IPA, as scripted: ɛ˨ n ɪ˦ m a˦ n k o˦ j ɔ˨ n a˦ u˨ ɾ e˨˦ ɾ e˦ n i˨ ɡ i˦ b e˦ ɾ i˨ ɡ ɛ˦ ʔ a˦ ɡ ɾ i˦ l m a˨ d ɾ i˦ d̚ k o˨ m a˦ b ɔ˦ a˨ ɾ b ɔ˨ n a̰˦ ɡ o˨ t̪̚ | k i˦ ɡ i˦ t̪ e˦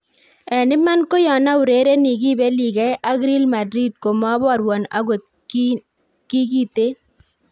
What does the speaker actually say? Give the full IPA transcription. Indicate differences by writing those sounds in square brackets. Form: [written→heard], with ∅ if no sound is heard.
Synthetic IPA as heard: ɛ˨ n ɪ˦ m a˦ n k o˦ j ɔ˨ n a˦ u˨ ɾ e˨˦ ɾ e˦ n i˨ ɡ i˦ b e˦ [ɾ→l] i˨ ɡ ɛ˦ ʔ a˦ ɡ ɾ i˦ l m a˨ d ɾ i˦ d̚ k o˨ m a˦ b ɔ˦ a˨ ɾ [b→w] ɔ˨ n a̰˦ ɡ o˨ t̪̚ | k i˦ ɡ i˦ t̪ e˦